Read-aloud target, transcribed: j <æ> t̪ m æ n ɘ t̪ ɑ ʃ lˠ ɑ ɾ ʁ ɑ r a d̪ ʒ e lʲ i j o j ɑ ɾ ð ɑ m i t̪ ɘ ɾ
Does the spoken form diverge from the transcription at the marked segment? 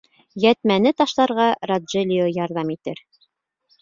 no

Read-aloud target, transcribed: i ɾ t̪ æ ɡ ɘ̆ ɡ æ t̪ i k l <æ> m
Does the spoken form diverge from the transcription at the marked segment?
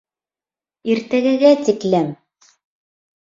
no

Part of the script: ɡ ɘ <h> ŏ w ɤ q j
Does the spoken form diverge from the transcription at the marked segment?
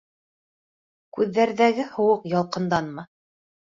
no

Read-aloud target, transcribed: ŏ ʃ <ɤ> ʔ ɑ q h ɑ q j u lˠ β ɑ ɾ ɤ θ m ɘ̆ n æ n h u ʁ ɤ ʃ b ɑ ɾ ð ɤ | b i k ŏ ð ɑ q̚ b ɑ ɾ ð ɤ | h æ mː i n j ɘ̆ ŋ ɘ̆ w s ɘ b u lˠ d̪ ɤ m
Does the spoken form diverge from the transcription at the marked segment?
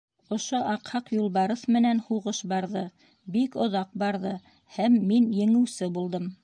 yes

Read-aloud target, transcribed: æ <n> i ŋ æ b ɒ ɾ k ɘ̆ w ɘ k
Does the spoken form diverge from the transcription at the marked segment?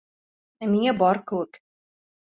yes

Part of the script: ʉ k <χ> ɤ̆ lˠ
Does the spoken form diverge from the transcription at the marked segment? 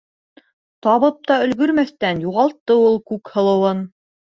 yes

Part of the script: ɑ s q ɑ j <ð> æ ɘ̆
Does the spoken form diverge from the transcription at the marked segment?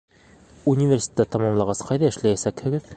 no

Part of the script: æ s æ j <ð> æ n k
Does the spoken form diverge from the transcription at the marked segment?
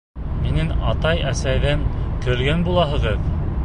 no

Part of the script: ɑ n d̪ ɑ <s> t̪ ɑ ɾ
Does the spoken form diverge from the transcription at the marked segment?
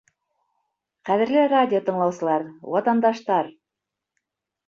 yes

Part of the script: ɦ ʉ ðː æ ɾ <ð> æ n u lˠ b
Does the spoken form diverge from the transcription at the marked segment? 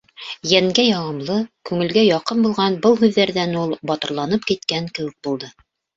no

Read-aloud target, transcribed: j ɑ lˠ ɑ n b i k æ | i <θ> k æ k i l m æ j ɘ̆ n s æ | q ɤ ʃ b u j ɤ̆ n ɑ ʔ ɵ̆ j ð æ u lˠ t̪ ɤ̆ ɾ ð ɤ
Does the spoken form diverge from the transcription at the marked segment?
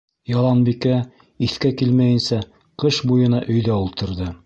no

